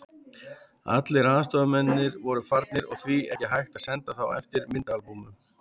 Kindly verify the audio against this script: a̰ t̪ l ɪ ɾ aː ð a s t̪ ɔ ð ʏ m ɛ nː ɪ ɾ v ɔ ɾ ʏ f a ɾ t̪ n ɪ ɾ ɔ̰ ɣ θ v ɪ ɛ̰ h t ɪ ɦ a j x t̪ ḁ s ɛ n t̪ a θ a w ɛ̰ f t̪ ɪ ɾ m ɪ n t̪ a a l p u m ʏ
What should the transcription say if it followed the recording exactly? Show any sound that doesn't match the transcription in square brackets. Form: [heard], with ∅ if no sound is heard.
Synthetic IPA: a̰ t̪ l ɪ ɾ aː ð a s t̪ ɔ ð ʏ m ɛ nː ɪ ɾ v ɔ ɾ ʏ f a ɾ t̪ n ɪ ɾ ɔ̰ ɣ θ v [i] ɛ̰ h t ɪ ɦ a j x t̪ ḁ s ɛ n t̪ a θ a w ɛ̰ f t̪ ɪ ɾ m ɪ n t̪ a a l p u m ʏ